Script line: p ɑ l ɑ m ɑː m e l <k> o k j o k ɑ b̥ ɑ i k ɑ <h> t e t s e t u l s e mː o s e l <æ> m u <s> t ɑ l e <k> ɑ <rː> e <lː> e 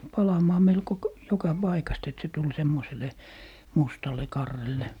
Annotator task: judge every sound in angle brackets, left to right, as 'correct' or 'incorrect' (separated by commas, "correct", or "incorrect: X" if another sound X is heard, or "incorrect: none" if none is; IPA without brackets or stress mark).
correct, incorrect: s, incorrect: e, correct, correct, correct, correct